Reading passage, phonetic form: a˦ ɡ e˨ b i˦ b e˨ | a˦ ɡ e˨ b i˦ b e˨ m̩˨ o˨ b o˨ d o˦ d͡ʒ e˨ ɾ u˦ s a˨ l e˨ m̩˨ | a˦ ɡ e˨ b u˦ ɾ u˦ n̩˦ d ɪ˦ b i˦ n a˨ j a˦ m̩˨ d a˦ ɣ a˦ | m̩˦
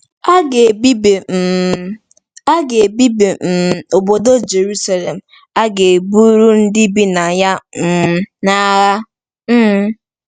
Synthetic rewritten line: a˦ ɡ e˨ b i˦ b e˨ | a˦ ɡ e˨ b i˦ b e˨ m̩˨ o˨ b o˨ d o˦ d͡ʒ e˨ ɾ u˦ s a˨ l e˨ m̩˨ | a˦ ɡ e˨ b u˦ ɾ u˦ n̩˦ d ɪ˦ b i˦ n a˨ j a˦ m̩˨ n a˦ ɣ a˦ | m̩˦